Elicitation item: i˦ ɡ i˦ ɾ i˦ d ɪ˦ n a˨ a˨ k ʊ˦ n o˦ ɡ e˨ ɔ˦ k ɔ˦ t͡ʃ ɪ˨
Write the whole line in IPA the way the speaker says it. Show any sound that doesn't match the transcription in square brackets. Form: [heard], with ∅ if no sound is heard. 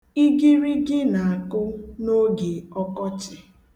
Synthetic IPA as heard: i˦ ɡ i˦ ɾ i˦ [ɡ] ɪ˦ n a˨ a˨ k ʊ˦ n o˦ ɡ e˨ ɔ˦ k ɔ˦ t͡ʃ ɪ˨